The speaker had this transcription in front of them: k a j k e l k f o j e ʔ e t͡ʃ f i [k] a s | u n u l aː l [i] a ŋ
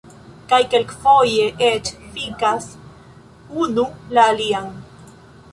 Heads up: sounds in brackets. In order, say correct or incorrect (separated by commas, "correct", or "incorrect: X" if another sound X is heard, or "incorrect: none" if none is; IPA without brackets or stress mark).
correct, correct